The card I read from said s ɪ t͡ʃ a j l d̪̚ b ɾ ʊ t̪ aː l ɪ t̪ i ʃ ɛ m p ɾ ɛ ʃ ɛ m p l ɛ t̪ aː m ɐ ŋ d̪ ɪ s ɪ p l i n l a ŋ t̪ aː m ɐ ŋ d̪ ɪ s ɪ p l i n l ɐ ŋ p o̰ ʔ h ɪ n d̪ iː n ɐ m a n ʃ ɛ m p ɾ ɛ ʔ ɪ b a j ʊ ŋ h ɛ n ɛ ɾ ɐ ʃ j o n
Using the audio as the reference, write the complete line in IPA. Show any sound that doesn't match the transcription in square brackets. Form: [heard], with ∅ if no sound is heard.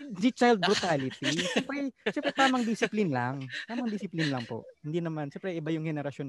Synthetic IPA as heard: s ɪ t͡ʃ a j l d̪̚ b ɾ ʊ t̪ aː l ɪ t̪ i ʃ ɛ m p ɾ ɛ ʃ ɛ m p [ɾ] ɛ t̪ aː m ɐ ŋ d̪ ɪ s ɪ p l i n l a ŋ t̪ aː m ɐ ŋ d̪ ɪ s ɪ p l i n l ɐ ŋ p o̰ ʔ h ɪ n d̪ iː n ɐ m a n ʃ ɛ m p ɾ ɛ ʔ ɪ b a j ʊ ŋ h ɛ n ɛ ɾ ɐ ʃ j o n